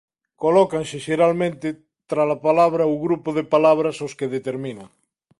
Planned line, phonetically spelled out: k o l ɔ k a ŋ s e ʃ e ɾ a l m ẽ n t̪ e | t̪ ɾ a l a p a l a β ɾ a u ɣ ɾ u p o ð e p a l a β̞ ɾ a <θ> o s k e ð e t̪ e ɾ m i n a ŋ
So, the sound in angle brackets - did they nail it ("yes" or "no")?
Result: no